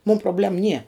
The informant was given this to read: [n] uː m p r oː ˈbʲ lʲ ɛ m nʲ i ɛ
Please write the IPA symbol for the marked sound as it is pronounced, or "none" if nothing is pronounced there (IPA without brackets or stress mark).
m